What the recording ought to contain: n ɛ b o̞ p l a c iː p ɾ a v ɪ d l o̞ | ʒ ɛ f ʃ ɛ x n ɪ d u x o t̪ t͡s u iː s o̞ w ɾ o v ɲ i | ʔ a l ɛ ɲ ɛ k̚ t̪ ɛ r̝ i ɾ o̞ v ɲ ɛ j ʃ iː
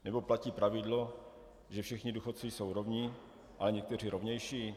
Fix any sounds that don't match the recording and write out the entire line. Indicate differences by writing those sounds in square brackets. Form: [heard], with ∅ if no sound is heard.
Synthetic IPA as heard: n ɛ b o̞ p l a c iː p ɾ a v ɪ d l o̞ | ʒ ɛ f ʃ ɛ x [ɲ] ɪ d u x o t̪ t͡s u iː s o̞ w ɾ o v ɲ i | ʔ a l ɛ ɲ ɛ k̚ t̪ ɛ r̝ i ɾ o̞ v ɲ ɛ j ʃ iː

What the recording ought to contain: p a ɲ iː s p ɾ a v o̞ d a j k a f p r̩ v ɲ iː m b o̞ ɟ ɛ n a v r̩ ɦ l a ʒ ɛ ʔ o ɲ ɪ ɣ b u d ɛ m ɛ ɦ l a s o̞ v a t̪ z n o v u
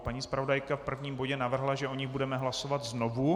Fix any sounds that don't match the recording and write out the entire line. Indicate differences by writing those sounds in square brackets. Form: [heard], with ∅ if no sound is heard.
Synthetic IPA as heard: p a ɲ iː s p ɾ a v o̞ d a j k a f p r̩ v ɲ iː m b o̞ ɟ ɛ n a v r̩ ɦ l a ʒ ɛ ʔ o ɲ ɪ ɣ b u d ɛ m ɛ ɦ l a s o̞ v a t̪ z n o v u

